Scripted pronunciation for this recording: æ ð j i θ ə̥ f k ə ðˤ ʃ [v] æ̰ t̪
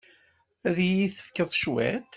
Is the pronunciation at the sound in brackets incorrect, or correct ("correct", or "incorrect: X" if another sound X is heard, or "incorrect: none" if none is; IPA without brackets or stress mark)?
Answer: incorrect: w